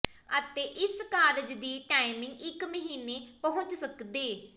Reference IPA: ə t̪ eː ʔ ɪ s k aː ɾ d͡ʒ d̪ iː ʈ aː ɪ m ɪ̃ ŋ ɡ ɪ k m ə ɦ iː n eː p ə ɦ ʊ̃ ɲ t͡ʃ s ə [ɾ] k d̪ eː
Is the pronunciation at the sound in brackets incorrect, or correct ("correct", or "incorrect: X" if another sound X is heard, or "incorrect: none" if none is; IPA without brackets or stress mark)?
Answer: incorrect: none